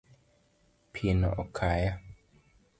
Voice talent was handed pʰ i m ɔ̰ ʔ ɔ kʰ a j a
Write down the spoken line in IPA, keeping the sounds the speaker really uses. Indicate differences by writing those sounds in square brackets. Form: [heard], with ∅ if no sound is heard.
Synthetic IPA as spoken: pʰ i [n] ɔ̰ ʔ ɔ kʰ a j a